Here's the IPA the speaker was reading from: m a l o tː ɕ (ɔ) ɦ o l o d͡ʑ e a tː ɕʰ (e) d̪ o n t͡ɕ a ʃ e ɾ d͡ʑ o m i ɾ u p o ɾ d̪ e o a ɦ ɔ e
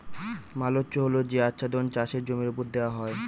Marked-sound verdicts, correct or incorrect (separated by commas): incorrect, incorrect